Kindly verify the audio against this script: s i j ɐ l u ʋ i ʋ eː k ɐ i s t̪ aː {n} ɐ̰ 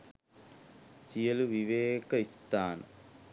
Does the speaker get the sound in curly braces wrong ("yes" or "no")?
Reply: no